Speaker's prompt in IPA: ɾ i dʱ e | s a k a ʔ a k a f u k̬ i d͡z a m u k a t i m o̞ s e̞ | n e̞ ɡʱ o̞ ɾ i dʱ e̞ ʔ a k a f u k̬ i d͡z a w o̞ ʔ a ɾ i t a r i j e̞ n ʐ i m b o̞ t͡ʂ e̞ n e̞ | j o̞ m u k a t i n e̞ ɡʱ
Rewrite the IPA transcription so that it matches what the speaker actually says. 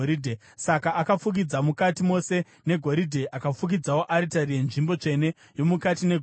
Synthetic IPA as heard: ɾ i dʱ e | s a k a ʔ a k a f u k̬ i d͡z a m u k a t i m o̞ s e̞ | n e̞ ɡʱ o̞ ɾ i dʱ e̞ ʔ a k a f u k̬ i d͡z a w o̞ ʔ a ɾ i t a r i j e̞ n ʐ i m b o̞ t͡ʂ e̞ n e̞ | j o̞ m u k a t i n e̞ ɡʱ

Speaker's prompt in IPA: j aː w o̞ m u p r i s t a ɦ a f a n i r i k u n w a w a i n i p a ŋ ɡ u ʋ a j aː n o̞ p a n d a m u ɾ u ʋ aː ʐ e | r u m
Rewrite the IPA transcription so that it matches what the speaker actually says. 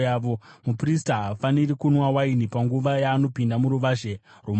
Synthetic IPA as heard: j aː ʋ o̞ m u p r i s t a ɦ a f a n i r i k u n w a w a i n i p a ŋ ɡ u ʋ a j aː n o̞ p i n d a m u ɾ u ʋ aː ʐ e | r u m

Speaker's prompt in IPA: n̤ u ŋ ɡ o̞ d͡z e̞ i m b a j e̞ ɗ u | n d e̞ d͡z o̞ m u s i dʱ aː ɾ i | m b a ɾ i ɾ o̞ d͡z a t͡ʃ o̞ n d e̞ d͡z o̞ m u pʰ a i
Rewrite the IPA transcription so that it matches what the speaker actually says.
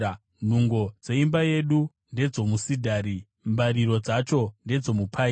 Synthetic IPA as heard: n̤ u ŋ ɡ o̞ d͡z e̞ i m b a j e̞ ɗ u | n d e̞ d͡z o̞ m u s i dʱ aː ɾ i | m b a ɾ i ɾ o̞ d͡z a t͡ʃ o̞ n d e̞ d͡z o̞ m u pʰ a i

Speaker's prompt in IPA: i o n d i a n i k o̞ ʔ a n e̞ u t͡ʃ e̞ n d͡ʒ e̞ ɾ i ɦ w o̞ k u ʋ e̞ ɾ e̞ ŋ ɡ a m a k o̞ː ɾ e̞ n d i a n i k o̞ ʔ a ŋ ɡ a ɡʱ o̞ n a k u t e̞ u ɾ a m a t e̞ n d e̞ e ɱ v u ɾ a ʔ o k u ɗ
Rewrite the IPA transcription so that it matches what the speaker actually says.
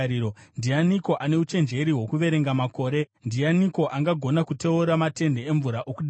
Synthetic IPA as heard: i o n d i a n i k o̞ ʔ a n e̞ u t͡ʃ e̞ n d͡ʒ e̞ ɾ i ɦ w o̞ k u ʋ e̞ ɾ e̞ ŋ ɡ a m a k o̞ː ɾ e̞ n d i a n i k o̞ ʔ a ŋ ɡ a ɡʱ o̞ n a k u t e̞ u ɾ a m a t e̞ n d e̞ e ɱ v u ɾ a ʔ o k u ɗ

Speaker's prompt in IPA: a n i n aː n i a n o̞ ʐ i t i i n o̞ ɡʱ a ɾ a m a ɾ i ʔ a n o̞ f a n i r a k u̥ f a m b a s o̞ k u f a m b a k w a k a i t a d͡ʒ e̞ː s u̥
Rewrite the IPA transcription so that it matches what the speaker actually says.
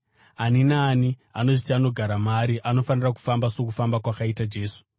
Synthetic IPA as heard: a n i n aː n i a n o̞ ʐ i t i a n o̞ ɡʱ a ɾ a m a ɾ i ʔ a n o̞ f a n i r a k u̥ f a m b a s o̞ k u f a m b a k w a k a i t a d͡ʒ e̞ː s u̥

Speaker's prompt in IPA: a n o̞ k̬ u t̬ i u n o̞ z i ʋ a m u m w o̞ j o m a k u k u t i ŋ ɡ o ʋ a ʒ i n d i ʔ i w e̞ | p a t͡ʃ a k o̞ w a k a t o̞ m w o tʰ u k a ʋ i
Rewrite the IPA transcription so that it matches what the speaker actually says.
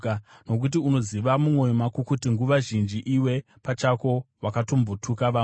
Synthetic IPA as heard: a n o̞ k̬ u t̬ i u n o̞ z i ʋ a m u m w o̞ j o m a k u k u t i ŋ ɡ u ʋ a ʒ i n d͡ʒ i ʔ i w e̞ | p a t͡ʃ a k o̞ w a k a t o̞ m b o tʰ u k a ʋ a

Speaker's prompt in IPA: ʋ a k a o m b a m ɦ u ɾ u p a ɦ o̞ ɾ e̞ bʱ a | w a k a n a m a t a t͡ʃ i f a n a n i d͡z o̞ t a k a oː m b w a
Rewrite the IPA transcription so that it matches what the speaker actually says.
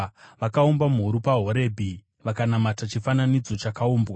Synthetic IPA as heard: ʋ a k a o m b a m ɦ u ɾ u p a ɦ o̞ ɾ e̞ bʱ i | ʋ a k a n a m a t a t͡ʃ i f a n a n i d͡z o̞ t͡ʃ a k a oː m b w a

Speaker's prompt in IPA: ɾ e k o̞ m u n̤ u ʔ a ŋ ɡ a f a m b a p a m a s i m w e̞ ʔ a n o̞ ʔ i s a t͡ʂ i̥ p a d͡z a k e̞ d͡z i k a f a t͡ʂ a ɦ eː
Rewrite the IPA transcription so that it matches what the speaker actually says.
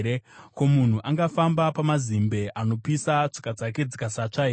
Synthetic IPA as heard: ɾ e k o̞ m u n̤ u ʔ a ŋ ɡ a f a m b a p a m a z i m b e̞ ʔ a n o̞ p i s a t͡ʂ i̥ k a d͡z a k e̞ d͡z i k a s a t͡ʂ a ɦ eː

